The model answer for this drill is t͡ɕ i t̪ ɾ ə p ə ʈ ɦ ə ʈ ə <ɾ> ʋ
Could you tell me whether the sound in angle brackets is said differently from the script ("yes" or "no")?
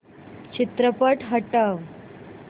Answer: yes